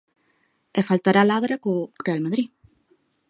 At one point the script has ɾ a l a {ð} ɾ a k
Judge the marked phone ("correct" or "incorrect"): correct